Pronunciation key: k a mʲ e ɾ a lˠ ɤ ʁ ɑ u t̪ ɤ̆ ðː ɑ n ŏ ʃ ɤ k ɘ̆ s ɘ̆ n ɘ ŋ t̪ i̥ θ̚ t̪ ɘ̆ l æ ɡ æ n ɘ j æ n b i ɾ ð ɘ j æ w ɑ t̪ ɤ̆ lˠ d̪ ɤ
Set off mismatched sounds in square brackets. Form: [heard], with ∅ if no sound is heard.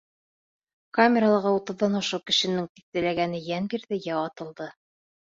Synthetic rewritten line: k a mʲ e ɾ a lˠ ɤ ʁ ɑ u t̪ ɤ̆ ðː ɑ n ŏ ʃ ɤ k ɘ̆ [ʃ] ɘ̆ n ɘ ŋ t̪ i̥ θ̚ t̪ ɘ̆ l æ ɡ æ n ɘ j æ n b i ɾ ð ɘ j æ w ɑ t̪ ɤ̆ lˠ d̪ ɤ